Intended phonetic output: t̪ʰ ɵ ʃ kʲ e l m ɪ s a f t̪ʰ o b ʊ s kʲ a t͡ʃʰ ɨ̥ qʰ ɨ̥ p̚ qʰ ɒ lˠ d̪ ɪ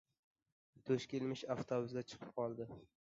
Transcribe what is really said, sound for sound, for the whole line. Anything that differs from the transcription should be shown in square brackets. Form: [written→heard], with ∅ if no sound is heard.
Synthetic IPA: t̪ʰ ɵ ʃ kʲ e l m ɪ [s→ʃ] a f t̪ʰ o b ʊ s [kʲ→ɡʲ] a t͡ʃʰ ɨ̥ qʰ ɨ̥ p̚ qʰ ɒ lˠ d̪ ɪ